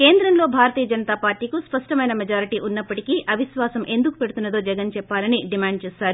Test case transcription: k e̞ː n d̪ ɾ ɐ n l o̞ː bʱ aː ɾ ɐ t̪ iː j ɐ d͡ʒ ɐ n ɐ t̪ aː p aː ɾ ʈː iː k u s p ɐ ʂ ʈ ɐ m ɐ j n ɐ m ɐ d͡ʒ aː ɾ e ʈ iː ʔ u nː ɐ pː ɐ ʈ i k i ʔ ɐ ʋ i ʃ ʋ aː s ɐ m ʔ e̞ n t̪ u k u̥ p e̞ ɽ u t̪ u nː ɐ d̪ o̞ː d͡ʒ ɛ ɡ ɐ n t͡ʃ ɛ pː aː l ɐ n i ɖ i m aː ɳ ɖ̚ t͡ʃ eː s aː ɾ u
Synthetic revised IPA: k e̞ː n d̪ ɾ ɐ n l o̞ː bʱ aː ɾ ɐ t̪ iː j ɐ d͡ʒ ɐ n ɐ t̪ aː p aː ɾ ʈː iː k u s p ɐ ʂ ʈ ɐ m ɐ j n ɐ m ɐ d͡ʒ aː ɾ i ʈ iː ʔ u nː ɐ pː ɐ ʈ i k i ʔ ɐ ʋ i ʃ ʋ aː s ɐ m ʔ e̞ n d̪ u k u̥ p e̞ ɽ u t̪ u nː ɐ d̪ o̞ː d͡ʒ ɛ ɡ ɐ n t͡ʃ ɛ pː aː l ɐ n i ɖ i m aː ɳ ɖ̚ t͡ʃ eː s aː ɾ u